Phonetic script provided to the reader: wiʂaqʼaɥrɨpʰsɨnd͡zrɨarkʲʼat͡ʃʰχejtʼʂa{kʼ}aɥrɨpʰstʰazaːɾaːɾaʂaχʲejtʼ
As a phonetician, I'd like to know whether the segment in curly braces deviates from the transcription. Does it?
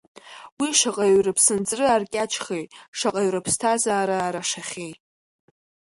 yes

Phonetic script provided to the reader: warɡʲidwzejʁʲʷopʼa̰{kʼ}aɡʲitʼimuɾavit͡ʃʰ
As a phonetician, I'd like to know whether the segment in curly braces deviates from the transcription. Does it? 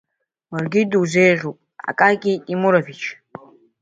no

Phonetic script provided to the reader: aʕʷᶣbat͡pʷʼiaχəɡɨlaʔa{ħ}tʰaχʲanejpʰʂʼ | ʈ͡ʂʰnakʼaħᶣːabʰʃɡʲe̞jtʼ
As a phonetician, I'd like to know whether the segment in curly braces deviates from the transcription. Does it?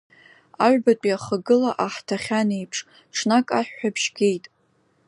no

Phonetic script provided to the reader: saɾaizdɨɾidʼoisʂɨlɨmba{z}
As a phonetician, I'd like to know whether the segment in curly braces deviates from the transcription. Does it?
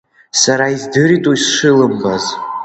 no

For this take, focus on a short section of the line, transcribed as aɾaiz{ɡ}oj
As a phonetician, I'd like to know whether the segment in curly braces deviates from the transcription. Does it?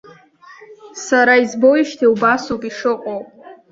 yes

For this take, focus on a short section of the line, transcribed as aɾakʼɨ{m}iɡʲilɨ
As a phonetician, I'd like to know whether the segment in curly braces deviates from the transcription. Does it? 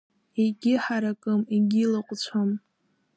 no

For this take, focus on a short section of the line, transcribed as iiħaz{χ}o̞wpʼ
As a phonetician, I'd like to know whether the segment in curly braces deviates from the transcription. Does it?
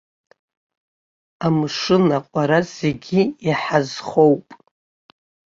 no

